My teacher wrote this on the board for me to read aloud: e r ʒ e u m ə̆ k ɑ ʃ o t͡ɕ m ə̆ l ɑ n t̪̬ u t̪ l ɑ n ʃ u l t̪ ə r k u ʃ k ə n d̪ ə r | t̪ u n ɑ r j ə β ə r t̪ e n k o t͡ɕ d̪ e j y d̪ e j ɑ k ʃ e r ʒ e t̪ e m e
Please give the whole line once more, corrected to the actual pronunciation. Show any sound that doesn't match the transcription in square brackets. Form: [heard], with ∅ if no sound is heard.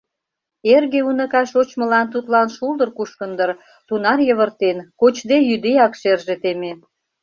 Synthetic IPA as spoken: e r [ɣ] e u [n] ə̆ k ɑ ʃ o t͡ɕ m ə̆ l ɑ n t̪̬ u t̪ l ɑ n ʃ u l [d̪] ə r k u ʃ k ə n d̪ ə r | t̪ u n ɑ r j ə β ə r t̪ e n k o t͡ɕ d̪ e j y d̪ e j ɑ k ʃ e r ʒ e t̪ e m e